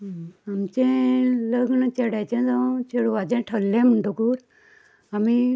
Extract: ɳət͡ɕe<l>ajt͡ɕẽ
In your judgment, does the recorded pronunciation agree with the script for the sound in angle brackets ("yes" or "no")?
no